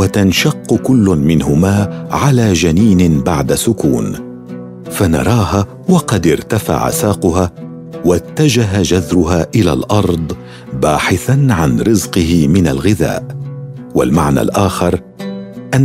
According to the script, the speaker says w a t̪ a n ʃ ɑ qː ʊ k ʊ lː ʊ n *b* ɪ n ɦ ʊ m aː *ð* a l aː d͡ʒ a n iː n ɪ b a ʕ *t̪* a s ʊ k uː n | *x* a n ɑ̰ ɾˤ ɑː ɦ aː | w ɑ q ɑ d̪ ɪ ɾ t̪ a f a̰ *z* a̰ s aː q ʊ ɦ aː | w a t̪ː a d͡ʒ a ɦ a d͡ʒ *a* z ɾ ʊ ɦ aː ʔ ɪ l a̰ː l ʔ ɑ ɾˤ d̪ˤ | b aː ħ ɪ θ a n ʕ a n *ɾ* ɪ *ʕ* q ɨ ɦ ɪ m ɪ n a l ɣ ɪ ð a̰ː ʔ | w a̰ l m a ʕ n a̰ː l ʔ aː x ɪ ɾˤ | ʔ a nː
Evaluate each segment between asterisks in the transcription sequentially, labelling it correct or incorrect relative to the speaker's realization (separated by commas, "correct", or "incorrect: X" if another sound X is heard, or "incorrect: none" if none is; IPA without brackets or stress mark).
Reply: incorrect: m, incorrect: ʕ, incorrect: d̪, incorrect: f, incorrect: ʕ, correct, correct, incorrect: z